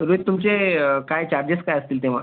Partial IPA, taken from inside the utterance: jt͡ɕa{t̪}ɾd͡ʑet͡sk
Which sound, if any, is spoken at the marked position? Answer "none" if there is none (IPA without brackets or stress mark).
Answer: none